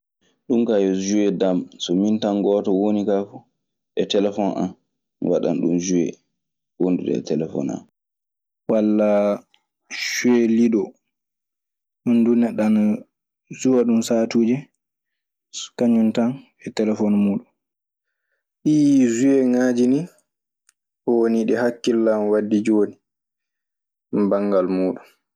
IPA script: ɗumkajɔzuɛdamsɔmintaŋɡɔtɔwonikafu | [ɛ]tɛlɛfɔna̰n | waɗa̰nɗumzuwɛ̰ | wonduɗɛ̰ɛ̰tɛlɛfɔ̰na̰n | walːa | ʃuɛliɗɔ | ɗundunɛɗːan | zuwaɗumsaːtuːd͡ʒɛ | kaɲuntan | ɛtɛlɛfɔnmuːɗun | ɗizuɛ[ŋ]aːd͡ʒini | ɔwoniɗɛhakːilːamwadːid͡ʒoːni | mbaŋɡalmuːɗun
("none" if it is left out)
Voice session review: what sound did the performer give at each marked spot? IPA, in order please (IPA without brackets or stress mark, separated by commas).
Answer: ɛ, ŋ